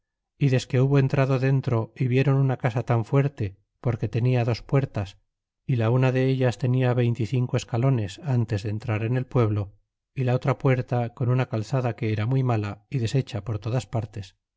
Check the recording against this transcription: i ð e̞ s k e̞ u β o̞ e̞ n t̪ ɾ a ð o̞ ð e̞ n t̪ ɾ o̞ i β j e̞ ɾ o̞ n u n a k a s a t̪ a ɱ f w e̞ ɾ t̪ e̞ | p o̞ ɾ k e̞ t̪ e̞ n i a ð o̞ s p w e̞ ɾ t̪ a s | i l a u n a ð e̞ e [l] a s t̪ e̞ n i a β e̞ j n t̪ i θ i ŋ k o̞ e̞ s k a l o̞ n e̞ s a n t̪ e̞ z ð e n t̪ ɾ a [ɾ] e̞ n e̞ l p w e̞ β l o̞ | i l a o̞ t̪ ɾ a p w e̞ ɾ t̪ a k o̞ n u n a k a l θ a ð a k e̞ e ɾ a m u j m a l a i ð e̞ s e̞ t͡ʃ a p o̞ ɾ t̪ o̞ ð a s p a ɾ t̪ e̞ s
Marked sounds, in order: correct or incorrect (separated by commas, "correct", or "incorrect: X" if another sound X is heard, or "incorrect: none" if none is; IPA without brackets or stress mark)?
incorrect: ʎ, correct